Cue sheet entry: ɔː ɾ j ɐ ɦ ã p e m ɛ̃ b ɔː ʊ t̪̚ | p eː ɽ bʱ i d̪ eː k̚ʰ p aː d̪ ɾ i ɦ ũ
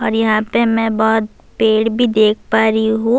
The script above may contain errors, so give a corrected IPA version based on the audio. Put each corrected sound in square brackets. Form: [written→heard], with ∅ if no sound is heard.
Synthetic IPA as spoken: ɔː ɾ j ɐ ɦ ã p e m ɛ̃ b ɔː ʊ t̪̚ | p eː ɽ bʱ i d̪ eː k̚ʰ p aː [d̪→∅] ɾ i ɦ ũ